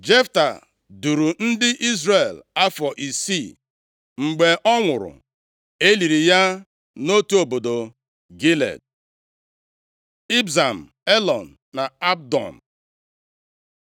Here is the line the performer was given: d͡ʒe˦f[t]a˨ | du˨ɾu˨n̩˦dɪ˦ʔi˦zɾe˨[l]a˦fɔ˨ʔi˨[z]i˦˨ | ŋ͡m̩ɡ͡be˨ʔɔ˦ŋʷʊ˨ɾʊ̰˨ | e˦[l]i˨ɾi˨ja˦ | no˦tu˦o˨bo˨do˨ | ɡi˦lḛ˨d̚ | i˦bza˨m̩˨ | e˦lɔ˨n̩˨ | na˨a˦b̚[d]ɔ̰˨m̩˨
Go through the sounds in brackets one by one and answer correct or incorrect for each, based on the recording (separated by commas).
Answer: correct, correct, incorrect, correct, correct